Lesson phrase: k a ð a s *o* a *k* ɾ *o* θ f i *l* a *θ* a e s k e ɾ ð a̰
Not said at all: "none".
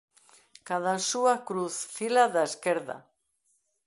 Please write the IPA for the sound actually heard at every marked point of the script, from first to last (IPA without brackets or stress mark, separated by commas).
u, k, u, l, ð